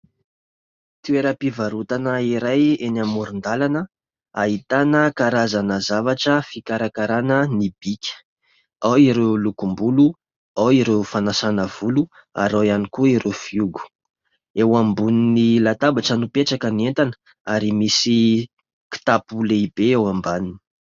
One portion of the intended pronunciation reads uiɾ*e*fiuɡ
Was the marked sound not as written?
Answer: no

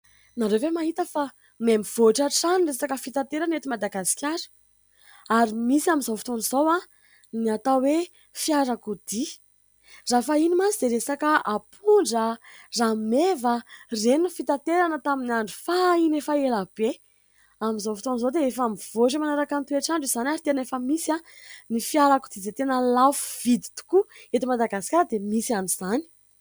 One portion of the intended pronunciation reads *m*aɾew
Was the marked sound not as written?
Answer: yes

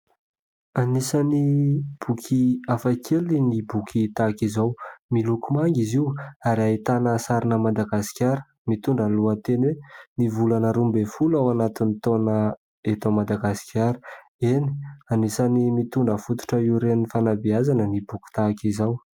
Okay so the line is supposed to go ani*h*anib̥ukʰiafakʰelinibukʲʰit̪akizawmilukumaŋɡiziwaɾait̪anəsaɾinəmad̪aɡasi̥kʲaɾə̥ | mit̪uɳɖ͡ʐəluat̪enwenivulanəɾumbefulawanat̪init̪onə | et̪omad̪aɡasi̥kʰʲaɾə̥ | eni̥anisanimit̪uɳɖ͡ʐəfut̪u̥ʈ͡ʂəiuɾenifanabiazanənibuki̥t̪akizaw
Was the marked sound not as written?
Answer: yes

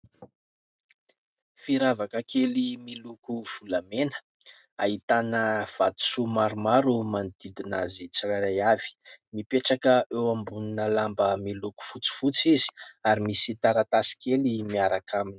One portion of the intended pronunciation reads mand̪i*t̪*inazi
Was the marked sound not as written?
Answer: yes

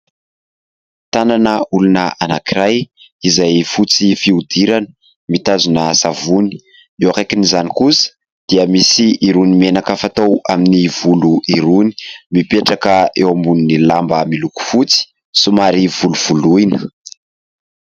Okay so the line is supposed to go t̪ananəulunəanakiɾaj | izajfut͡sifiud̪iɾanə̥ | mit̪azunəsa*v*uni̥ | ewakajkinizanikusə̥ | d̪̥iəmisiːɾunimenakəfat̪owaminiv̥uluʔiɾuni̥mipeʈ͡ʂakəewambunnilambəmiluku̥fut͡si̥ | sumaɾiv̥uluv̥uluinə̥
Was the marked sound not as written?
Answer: no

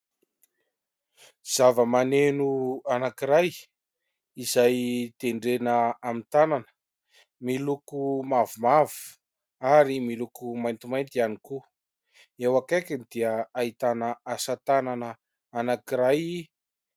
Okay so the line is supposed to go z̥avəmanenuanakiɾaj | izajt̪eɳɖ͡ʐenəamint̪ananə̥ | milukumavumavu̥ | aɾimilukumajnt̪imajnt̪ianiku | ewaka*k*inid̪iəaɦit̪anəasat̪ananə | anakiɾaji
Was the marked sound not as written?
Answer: no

